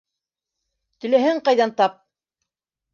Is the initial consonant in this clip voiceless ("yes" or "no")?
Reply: yes